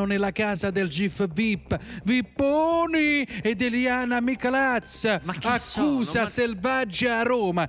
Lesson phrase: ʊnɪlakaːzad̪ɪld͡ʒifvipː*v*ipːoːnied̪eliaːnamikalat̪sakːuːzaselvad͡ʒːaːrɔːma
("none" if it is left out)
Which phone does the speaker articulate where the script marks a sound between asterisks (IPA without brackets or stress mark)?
v